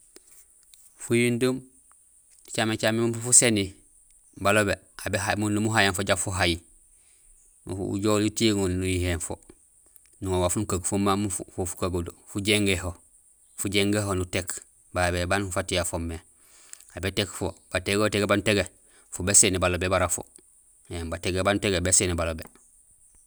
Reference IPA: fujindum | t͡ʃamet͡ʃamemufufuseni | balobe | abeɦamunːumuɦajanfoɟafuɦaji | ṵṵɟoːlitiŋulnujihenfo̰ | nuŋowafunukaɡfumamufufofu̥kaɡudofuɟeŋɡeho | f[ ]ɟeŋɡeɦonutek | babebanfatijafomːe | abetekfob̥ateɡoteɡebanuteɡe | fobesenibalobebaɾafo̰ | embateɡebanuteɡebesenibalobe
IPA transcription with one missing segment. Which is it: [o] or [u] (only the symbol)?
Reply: u